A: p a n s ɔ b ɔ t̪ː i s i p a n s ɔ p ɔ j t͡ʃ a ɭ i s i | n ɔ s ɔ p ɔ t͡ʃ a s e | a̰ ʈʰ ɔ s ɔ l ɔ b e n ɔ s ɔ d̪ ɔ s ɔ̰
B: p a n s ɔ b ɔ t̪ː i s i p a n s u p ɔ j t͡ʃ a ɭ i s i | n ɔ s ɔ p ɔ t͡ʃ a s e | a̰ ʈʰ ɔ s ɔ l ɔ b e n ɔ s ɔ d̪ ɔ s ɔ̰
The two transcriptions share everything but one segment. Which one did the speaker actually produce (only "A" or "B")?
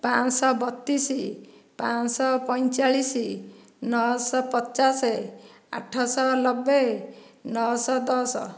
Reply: A